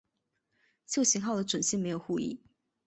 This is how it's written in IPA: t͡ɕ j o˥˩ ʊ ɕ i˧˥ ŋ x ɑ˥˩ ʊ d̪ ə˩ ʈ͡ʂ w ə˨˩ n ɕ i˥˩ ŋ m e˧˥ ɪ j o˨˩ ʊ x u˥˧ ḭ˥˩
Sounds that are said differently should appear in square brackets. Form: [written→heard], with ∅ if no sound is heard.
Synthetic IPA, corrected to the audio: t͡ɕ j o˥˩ ʊ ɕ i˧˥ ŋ x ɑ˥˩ ʊ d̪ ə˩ ʈ͡ʂ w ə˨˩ n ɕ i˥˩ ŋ m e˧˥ ɪ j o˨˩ ʊ x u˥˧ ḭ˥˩